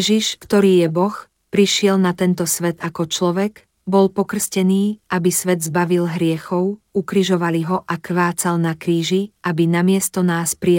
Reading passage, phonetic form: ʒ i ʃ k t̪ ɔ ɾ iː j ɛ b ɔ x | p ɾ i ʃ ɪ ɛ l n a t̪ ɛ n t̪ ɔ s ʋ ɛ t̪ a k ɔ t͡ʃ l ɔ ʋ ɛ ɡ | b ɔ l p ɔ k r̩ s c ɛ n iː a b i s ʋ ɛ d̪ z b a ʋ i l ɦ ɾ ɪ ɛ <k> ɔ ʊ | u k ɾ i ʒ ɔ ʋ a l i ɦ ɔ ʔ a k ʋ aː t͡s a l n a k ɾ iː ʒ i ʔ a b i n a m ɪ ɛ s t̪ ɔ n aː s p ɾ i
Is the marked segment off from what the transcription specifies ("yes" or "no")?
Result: yes